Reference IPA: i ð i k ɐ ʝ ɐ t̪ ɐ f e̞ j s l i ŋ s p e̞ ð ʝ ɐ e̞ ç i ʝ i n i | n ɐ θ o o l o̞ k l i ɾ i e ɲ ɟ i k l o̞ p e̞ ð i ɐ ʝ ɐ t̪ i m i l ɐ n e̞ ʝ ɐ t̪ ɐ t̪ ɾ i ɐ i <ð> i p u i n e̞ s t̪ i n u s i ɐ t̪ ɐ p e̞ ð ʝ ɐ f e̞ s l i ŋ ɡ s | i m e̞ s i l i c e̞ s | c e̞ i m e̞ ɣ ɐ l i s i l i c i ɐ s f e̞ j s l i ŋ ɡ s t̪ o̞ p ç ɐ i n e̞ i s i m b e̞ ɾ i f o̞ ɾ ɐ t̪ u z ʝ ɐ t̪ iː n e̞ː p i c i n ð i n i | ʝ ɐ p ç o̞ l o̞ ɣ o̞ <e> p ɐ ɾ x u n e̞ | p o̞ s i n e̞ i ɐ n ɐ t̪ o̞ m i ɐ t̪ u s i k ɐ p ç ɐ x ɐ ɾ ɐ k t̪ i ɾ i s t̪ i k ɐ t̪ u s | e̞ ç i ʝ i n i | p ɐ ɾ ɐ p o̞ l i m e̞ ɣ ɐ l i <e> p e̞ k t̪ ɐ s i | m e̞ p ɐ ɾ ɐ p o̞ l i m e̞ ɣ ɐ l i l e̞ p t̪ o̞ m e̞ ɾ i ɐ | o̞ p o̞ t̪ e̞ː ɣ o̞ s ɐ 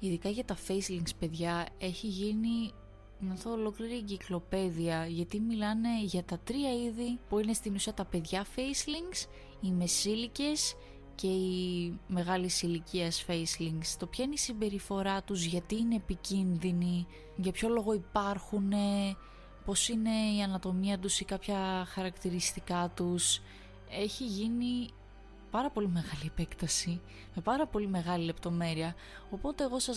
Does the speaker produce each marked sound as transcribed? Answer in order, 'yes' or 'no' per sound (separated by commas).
yes, no, yes